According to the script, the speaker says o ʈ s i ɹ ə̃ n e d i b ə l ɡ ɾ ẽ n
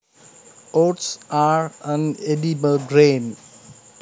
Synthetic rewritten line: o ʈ s a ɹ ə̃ n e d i b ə l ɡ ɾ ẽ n